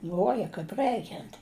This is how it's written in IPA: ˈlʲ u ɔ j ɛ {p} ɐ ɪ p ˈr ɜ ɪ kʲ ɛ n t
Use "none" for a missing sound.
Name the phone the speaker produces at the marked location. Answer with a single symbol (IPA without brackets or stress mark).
k